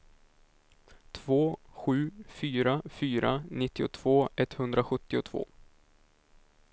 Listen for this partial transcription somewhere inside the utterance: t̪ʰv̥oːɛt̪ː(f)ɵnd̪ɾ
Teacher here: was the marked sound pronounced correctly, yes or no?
no